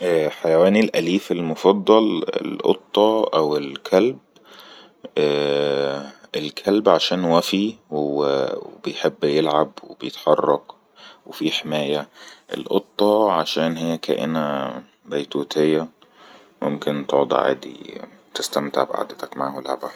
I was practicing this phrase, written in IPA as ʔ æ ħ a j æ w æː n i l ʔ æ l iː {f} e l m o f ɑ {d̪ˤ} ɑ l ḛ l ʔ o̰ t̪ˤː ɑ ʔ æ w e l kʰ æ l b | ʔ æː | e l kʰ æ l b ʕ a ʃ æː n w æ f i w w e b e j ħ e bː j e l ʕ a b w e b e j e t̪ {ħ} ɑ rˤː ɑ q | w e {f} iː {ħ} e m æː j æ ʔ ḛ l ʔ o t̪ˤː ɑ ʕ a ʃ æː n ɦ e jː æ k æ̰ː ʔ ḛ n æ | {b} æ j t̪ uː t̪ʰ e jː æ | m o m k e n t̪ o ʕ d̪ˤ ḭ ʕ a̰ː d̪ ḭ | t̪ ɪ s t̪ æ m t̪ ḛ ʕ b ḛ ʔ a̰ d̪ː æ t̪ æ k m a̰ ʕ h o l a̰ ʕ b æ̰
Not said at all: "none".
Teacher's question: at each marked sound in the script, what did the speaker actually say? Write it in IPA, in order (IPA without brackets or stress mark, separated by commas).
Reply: f, d̪ˤː, ħ, f, ħ, b